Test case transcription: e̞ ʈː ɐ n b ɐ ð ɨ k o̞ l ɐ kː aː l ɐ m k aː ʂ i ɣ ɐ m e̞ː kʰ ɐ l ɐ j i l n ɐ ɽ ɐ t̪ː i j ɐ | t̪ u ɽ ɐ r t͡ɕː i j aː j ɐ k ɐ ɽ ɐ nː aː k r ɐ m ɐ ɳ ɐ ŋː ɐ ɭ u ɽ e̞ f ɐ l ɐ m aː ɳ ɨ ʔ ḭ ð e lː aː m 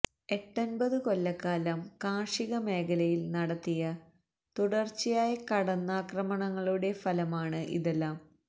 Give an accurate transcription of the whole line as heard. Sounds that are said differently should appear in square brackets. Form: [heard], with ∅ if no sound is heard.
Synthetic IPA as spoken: e̞ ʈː ɐ n b ɐ ð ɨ k o̞ [lː] ɐ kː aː l ɐ m k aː ʂ i ɣ ɐ m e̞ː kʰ ɐ l ɐ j i l n ɐ ɽ ɐ t̪ː i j ɐ | t̪ u ɽ ɐ r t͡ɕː i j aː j ɐ k ɐ ɽ ɐ nː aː k r ɐ m ɐ ɳ ɐ ŋː ɐ ɭ u ɽ e̞ f ɐ l ɐ m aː ɳ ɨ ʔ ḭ ð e lː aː m